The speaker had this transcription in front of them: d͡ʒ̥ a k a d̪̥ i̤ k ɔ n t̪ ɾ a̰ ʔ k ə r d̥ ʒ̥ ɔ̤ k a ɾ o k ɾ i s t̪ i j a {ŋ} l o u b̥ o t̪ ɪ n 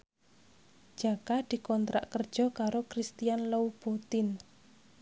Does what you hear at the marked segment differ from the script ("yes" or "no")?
yes